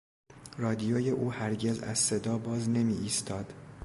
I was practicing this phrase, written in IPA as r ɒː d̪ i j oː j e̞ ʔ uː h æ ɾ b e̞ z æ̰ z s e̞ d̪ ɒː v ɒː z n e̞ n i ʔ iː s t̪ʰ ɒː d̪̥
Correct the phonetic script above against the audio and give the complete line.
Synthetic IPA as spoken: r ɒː d̪ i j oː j e̞ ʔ uː h æ ɾ ɟ e̞ z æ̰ z s e̞ d̪ ɒː b ɒː z n e̞ m i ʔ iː s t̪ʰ ɒː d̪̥